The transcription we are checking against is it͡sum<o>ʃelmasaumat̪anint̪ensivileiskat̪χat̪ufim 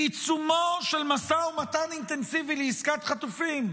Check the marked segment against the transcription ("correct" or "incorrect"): correct